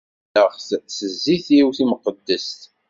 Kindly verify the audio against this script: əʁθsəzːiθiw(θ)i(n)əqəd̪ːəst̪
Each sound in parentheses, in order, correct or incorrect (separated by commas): correct, incorrect